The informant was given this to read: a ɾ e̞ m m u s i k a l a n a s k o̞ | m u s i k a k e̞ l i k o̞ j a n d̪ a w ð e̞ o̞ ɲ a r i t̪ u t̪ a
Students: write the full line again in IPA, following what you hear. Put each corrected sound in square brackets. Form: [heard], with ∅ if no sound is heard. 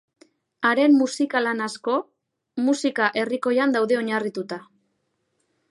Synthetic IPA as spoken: a ɾ e̞ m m u s i k a l a n a s k o̞ | m u s i k a [ʔ] e̞ [r] i k o̞ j a n d̪ a w ð e̞ o̞ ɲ a r i t̪ u t̪ a